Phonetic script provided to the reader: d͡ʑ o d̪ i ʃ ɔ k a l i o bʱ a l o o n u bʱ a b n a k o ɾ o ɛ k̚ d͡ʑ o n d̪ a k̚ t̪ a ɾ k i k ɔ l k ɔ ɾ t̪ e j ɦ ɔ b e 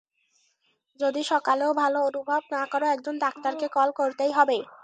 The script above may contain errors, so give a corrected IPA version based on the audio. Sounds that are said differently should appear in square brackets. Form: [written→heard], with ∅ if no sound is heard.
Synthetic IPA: d͡ʑ o d̪ i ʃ ɔ k a l [i→e] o bʱ a l o o n u bʱ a b n a k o ɾ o ɛ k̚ d͡ʑ o n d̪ a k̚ t̪ a ɾ k [i→e] k ɔ l k [ɔ→o] ɾ t̪ e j ɦ ɔ b e